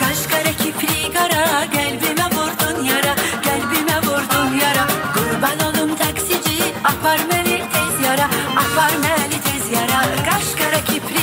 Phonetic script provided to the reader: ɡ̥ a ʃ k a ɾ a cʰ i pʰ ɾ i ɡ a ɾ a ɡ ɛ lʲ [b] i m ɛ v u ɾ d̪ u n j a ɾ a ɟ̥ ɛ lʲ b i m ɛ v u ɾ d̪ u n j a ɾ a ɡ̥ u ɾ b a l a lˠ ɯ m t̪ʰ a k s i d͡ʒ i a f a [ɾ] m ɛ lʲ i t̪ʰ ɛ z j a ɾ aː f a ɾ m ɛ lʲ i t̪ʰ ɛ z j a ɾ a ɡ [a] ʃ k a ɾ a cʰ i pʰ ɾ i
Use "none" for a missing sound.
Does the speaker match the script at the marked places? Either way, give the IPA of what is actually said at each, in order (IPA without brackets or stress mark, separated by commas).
b, ɾ, a